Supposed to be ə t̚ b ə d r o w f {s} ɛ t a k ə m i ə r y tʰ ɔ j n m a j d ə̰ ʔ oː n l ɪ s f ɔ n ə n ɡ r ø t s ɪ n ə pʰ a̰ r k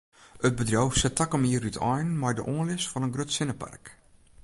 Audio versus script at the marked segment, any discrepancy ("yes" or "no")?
no